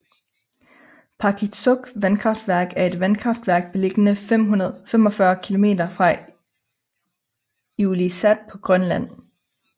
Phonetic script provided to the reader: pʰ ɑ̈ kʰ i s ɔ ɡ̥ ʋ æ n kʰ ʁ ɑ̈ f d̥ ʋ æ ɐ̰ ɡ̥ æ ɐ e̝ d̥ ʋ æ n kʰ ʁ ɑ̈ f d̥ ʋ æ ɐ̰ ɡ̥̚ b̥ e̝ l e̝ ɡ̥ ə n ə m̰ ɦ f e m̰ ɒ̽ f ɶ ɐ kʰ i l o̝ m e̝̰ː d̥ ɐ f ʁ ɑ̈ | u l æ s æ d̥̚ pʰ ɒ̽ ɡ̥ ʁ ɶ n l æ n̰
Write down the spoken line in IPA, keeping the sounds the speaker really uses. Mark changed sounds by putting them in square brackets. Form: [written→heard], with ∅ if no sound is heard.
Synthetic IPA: pʰ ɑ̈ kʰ i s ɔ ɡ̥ ʋ æ n kʰ ʁ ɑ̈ f d̥ ʋ æ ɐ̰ ɡ̥ æ ɐ e̝ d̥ ʋ æ n kʰ ʁ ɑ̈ f d̥ ʋ æ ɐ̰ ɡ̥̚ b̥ e̝ l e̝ ɡ̥ ə n ə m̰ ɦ f e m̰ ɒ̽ f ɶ ɐ kʰ i l o̝ m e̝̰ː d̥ ɐ f ʁ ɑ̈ | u l [æ→i] s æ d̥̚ pʰ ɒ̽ ɡ̥ ʁ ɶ n l æ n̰